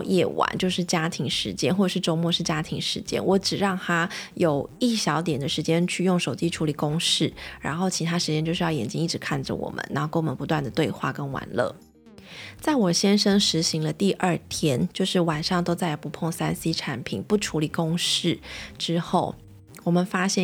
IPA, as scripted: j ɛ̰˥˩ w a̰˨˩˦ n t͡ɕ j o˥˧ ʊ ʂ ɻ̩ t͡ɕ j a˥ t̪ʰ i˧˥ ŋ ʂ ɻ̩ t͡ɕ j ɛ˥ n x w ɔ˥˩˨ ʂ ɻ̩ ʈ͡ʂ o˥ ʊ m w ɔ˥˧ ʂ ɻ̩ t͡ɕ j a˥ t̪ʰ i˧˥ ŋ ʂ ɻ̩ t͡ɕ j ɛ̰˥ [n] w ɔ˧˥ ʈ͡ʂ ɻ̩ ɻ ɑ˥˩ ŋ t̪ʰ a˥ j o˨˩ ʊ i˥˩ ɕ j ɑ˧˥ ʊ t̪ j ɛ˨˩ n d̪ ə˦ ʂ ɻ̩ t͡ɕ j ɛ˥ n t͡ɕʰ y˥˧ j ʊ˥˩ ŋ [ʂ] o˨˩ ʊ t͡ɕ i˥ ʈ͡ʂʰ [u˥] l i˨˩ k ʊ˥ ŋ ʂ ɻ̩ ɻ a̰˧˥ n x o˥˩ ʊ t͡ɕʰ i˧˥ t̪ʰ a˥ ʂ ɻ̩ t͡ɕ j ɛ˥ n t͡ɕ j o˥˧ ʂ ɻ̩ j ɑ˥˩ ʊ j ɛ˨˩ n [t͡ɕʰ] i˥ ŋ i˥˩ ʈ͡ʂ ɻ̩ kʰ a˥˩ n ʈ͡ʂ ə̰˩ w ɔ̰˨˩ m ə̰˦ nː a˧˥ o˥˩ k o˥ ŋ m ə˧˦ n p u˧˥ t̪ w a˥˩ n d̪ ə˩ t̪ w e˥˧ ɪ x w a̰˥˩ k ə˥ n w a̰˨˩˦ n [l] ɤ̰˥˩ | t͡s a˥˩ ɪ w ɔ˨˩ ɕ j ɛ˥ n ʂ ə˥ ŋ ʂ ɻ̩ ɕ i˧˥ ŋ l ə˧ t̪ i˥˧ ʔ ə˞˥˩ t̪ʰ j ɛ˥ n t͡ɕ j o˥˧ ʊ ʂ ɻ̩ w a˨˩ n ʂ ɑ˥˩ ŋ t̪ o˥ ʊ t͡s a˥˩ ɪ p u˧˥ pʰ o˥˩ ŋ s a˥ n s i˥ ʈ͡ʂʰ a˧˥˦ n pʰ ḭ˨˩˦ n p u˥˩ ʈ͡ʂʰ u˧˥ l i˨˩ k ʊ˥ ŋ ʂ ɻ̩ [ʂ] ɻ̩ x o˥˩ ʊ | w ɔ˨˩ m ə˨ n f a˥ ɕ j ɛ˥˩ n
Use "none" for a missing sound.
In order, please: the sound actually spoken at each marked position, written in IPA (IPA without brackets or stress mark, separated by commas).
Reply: n, ʂ, u˧˥, t͡ɕ, l, ʈ͡ʂ